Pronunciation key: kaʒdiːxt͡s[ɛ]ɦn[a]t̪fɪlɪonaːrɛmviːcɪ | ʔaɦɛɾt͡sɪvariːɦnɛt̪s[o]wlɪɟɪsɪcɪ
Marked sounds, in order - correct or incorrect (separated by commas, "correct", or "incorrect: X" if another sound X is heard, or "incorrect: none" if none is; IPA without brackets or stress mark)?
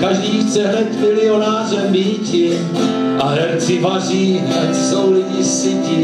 correct, incorrect: ɛ, correct